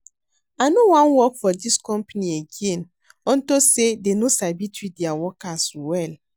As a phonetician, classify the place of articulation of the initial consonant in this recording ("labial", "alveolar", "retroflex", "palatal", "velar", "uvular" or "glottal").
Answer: alveolar